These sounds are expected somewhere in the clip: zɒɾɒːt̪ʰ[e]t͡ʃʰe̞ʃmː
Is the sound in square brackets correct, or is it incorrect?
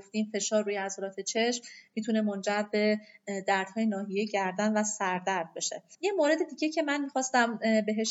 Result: correct